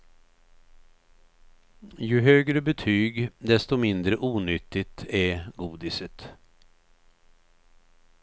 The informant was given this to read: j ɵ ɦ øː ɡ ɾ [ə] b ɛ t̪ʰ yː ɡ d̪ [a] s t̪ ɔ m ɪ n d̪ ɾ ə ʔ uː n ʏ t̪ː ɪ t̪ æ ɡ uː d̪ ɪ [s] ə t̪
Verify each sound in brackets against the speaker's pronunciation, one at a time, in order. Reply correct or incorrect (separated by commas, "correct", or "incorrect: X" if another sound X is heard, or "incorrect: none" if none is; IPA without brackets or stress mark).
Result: correct, incorrect: ɛ, correct